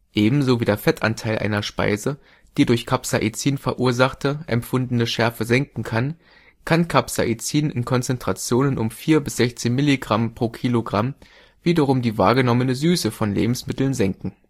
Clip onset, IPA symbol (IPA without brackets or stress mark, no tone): ʔ